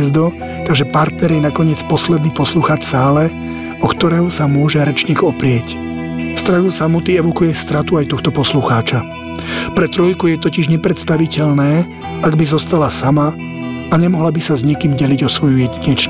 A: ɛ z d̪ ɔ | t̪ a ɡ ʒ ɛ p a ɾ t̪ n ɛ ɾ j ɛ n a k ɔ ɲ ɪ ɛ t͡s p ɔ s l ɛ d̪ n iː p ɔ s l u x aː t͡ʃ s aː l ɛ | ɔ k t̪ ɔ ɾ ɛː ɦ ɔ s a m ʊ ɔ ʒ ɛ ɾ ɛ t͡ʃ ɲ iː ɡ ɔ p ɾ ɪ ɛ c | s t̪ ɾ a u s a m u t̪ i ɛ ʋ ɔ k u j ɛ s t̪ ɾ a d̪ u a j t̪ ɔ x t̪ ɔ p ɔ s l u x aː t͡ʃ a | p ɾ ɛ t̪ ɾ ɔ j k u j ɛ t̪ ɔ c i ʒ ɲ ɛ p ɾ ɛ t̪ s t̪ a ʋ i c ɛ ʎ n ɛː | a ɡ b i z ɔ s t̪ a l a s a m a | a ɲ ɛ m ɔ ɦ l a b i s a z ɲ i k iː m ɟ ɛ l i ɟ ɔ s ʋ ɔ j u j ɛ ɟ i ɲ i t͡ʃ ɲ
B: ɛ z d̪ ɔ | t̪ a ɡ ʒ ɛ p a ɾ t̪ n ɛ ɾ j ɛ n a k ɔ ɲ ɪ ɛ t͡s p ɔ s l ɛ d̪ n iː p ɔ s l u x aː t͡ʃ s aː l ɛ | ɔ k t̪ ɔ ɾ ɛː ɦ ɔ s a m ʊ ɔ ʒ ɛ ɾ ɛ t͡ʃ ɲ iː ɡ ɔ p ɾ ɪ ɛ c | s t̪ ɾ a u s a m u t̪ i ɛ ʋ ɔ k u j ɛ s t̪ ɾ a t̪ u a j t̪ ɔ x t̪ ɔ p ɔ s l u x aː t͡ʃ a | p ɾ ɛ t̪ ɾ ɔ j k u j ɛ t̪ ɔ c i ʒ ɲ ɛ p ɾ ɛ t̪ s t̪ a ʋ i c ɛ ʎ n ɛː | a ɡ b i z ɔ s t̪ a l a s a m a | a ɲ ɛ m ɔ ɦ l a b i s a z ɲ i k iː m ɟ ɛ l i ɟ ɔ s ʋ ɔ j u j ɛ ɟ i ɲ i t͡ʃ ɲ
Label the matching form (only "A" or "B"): B